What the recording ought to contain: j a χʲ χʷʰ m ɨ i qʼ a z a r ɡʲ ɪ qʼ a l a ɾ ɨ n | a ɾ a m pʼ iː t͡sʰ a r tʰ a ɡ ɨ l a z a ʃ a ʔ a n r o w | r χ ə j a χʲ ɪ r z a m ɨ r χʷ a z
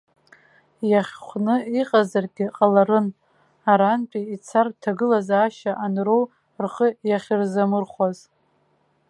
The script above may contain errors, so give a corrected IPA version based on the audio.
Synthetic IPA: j a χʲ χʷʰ n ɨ i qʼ a z a r ɡʲ ɪ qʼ a l a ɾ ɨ n | a ɾ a n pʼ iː t͡sʰ a r tʰ a ɡ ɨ l a z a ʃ a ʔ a n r o w | r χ ə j a χʲ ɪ r z a m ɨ r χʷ a z